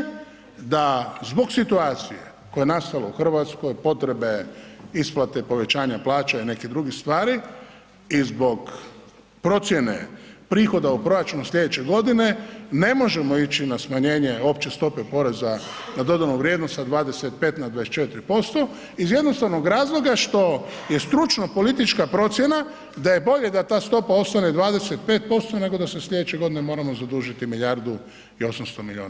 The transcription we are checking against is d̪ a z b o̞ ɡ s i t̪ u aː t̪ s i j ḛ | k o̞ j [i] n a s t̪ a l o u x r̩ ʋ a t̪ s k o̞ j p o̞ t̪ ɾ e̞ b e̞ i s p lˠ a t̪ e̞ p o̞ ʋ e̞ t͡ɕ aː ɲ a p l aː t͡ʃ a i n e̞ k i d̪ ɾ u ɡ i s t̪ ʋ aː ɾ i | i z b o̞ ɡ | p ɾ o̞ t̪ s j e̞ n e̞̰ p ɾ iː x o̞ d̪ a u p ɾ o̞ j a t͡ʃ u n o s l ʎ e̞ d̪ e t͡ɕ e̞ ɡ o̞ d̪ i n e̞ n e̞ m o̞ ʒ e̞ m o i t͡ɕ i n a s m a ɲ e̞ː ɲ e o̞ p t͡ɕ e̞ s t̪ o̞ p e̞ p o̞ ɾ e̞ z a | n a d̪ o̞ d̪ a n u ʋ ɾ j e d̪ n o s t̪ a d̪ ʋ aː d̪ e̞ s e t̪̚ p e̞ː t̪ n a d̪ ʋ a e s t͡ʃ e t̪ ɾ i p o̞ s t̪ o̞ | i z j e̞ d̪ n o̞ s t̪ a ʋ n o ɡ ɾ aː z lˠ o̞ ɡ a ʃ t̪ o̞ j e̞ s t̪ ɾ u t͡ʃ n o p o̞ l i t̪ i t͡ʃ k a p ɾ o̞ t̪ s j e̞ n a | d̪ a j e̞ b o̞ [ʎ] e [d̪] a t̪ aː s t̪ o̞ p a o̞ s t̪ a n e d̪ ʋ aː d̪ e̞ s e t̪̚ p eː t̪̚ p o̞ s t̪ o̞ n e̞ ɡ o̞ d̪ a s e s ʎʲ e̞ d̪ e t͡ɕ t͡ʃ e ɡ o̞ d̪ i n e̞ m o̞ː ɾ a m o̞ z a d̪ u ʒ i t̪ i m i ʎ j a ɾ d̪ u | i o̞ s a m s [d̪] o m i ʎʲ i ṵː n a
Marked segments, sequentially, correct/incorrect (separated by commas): incorrect, correct, correct, incorrect